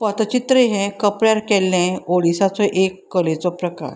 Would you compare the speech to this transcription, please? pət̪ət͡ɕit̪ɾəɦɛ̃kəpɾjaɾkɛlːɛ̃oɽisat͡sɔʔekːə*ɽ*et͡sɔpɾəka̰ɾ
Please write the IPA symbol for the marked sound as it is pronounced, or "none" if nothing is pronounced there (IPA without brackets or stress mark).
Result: l